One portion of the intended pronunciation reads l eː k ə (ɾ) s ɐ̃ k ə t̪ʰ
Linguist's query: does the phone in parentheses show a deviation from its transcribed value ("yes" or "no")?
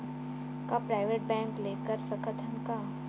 no